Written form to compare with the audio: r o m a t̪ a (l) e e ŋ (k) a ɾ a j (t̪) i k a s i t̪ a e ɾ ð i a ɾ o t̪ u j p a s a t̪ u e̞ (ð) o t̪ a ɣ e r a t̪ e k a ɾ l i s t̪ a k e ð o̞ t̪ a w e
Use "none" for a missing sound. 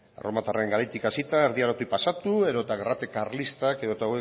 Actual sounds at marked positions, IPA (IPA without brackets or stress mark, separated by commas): r, ɡ, t̪, ð